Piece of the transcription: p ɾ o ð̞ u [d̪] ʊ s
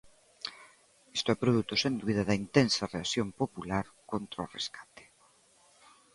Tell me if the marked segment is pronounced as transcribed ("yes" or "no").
no